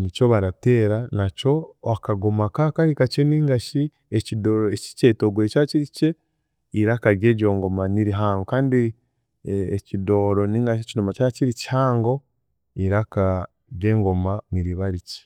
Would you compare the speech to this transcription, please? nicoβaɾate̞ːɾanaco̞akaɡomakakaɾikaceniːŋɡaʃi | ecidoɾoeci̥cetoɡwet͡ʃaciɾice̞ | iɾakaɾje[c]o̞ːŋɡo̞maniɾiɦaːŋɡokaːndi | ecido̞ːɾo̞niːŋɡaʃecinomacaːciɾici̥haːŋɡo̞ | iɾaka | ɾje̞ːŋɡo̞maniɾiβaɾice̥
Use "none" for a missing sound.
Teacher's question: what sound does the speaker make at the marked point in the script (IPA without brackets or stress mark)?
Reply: ɟ